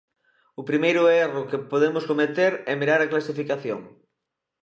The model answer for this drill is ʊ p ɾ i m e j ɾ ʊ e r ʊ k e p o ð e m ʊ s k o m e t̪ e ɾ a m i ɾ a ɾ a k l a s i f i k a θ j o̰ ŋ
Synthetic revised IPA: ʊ p ɾ i m e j ɾ ʊ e r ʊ k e p o ð e m ʊ s k o m e t̪ e ɾ ɛ m i ɾ a ɾ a k l a s i f i k a θ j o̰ ŋ